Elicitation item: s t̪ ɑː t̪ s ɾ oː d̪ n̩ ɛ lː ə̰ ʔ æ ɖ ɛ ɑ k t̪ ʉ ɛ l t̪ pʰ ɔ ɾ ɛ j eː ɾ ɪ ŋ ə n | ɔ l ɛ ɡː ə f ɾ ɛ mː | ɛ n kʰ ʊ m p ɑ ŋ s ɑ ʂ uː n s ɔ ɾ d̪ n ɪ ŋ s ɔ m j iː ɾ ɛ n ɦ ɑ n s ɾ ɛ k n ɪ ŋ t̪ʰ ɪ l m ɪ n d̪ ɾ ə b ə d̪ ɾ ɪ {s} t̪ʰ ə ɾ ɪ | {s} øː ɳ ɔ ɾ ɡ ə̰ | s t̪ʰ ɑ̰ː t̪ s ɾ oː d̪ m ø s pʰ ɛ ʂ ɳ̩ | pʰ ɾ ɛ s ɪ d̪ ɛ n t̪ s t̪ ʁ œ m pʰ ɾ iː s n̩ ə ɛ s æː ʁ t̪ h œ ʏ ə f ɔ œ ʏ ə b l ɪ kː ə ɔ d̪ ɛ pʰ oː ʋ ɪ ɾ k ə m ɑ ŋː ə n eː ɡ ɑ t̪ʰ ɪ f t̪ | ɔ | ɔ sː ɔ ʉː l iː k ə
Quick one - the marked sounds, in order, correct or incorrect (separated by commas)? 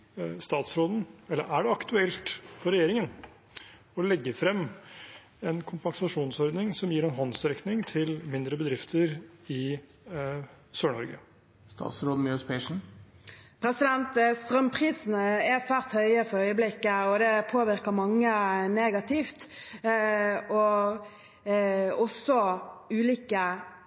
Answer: incorrect, correct